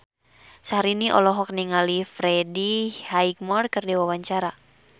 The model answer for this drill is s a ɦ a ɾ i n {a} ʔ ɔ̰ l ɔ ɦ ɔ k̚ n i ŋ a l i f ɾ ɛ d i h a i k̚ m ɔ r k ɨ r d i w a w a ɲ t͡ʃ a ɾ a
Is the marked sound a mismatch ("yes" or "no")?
yes